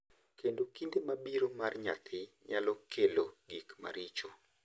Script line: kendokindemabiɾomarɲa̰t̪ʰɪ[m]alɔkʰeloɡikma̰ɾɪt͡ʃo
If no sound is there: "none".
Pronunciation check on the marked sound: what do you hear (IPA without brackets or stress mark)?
ɲ